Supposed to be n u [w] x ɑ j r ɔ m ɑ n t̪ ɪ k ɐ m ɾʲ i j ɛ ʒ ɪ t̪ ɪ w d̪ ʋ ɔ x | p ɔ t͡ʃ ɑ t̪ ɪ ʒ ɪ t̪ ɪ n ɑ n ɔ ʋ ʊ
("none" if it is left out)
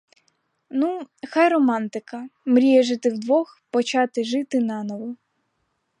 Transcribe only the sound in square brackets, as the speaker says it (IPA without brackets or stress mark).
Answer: none